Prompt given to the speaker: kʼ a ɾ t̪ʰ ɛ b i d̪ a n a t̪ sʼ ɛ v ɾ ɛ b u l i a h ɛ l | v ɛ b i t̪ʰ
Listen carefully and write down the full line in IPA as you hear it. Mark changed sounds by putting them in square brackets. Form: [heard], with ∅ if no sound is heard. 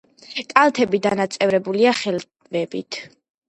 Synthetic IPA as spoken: kʼ a [l] t̪ʰ ɛ b i d̪ a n a t̪ sʼ ɛ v ɾ ɛ b u l i a [χ] ɛ l | v ɛ b i t̪ʰ